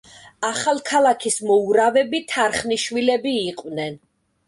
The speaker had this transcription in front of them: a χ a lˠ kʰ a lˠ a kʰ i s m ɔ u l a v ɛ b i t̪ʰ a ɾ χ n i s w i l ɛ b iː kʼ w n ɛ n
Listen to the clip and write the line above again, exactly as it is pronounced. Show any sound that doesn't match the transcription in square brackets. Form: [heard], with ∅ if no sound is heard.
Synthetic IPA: a χ a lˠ kʰ a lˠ a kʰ i s m ɔ u [ɾ] a v ɛ b i t̪ʰ a ɾ χ n i [ʃ] w i l ɛ b iː [qʼ] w n ɛ n